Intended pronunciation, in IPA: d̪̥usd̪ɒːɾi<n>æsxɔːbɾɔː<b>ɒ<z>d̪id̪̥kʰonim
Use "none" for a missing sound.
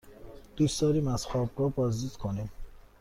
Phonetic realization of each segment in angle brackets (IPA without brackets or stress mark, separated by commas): m, b, z